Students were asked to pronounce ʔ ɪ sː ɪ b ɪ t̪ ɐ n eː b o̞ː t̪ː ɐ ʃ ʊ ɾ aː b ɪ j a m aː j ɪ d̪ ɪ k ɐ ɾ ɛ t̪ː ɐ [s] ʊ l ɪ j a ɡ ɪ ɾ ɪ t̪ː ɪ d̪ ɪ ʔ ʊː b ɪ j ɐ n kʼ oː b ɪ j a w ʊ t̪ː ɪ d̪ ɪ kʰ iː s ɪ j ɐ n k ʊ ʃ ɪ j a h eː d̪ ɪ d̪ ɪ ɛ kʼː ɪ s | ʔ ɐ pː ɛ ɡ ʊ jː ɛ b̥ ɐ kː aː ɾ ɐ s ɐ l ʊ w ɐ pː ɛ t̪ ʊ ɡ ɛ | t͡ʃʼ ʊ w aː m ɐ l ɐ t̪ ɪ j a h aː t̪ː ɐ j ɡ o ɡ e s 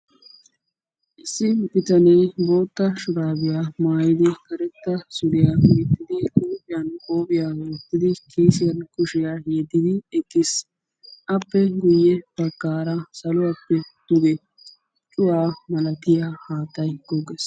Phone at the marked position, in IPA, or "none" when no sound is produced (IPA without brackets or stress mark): s